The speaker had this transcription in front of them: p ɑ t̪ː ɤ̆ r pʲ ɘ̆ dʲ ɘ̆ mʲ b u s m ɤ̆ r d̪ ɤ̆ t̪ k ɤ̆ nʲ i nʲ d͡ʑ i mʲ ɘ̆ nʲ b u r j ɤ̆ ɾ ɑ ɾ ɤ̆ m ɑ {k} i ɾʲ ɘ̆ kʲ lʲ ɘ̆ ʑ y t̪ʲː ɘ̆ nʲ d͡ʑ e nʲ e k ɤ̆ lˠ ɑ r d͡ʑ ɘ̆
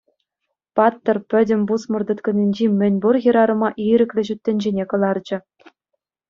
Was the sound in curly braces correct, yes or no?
no